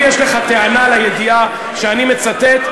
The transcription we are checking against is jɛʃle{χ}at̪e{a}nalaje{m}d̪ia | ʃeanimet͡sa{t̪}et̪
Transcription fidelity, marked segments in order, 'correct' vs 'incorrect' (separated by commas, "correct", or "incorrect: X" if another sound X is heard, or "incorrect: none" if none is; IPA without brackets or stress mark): correct, correct, incorrect: none, correct